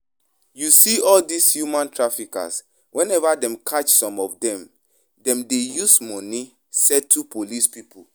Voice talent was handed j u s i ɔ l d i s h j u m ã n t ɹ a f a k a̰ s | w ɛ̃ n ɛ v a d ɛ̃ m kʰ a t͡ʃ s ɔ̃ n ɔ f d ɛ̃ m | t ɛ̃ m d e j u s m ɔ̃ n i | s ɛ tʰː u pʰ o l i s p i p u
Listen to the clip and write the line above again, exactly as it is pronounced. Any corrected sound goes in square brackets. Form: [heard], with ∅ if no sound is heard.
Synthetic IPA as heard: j u s i ɔ l d i s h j u m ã n t ɹ a f [i] k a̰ s | w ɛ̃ n ɛ v a d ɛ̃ m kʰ a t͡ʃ s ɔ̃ [m] ɔ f d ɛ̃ m | [d] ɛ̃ m d e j u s m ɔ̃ n i | s ɛ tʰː u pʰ o l i s p i p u

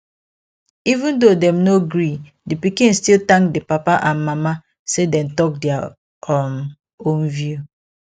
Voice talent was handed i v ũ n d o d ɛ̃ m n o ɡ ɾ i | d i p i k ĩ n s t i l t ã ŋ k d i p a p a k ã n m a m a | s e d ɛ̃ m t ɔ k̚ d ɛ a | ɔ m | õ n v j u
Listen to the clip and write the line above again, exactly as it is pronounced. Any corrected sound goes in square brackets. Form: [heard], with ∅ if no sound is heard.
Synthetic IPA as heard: i v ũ n d o d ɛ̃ m n o ɡ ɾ i | d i p i k ĩ n s t i l t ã ŋ k d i p a p a [ʔ] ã n m a m a | s e d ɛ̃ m t ɔ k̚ d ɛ a | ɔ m | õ n v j u

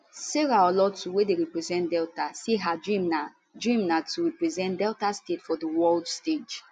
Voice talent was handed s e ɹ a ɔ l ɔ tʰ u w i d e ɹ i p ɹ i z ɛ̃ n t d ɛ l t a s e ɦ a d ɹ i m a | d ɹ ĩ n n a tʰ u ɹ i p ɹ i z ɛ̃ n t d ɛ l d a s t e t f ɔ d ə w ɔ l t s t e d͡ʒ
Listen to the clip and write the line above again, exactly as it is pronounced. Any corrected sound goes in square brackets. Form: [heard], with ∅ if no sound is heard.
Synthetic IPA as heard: s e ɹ a ɔ l ɔ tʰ u w [e] d e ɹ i p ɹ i z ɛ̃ n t d ɛ l t a s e ɦ a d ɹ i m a | d ɹ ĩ [m] n a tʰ u ɹ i p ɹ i z ɛ̃ n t d ɛ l [t] a s t e t f ɔ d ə w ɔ l [d] s t e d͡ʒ

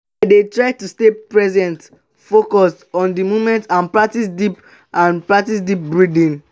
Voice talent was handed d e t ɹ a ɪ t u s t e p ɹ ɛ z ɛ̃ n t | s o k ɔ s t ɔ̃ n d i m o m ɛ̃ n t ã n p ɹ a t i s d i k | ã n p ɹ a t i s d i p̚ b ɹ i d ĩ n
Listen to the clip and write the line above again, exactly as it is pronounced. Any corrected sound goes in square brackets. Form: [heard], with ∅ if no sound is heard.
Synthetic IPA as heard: d e t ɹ a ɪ t u s t e p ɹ ɛ z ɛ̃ n t | [f] o k ɔ s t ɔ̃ n d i m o m ɛ̃ n t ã n p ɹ a t i s d i [p] | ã n p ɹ a t i s d i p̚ b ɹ i d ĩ n

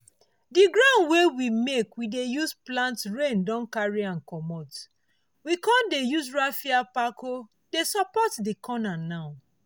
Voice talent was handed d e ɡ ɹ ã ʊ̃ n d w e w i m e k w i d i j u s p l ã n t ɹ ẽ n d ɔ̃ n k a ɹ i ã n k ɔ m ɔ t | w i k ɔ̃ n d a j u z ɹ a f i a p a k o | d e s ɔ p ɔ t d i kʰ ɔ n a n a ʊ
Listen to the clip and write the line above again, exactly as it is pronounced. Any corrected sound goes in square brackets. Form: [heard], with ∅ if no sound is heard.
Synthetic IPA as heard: d [i] ɡ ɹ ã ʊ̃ n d w e w i m e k w i d [e] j u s p l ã n t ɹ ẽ n d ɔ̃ n k a ɹ i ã n k ɔ m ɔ t | w i k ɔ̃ n d [e] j u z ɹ a f i a p a k o | d e s ɔ p ɔ t d i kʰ ɔ n a n a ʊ

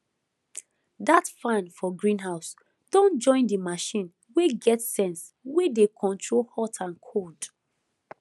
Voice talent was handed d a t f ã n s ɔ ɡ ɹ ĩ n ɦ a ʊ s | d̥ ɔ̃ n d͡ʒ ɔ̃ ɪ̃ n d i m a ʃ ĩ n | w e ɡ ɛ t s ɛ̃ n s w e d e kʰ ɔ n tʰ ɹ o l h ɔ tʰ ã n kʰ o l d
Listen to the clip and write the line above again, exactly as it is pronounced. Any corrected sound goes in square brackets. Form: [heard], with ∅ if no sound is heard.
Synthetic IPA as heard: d a t f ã n [f] ɔ ɡ ɹ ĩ n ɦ a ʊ s | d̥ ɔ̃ n d͡ʒ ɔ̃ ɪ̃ n d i m a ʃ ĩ n | w e ɡ ɛ t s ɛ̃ n s w e d e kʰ [ɔ̃] n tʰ ɹ o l h ɔ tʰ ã n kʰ o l d

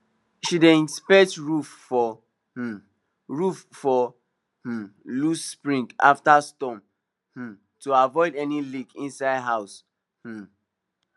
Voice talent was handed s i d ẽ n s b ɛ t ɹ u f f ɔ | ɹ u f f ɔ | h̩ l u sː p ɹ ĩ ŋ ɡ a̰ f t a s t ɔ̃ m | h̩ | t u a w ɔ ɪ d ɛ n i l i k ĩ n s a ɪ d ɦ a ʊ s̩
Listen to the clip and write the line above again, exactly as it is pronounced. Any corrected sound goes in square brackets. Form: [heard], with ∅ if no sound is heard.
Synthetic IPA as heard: [ʃ] i d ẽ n s [p] ɛ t ɹ u f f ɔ | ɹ u f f ɔ | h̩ l u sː p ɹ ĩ ŋ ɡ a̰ f t a s t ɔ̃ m | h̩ | t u a [v] ɔ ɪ d ɛ n i l i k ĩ n s a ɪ d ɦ a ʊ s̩

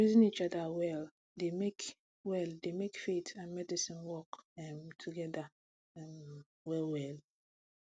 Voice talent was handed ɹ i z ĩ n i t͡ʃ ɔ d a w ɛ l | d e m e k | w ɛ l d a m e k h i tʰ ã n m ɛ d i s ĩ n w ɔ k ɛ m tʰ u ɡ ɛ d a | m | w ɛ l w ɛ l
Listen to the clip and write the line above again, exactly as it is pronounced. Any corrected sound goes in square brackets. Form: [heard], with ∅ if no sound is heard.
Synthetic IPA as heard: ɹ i z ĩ n i t͡ʃ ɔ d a w ɛ l | d e m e k | w ɛ l d [e] m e k [f] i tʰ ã n m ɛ d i s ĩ n w ɔ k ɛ m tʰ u ɡ ɛ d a | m | w ɛ l w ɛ l

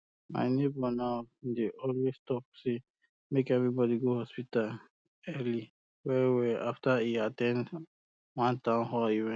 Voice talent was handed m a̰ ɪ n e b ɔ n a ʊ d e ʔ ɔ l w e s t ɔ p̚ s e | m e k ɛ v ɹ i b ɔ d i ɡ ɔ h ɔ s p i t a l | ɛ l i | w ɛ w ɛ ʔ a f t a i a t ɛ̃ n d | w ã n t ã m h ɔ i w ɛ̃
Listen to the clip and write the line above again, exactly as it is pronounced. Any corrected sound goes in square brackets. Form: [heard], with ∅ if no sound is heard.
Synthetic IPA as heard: m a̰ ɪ n e b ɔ n a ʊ d e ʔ ɔ l w e s t ɔ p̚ s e | m e k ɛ v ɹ i b ɔ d i ɡ [o] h ɔ s p i t a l | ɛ l i | w ɛ w ɛ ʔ a f t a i a t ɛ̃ n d | w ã n t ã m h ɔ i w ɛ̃

